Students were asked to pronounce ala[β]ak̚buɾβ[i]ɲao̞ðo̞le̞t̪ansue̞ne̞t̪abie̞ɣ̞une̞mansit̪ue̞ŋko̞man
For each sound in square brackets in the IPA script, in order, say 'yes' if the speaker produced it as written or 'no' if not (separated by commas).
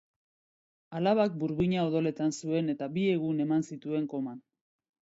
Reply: yes, yes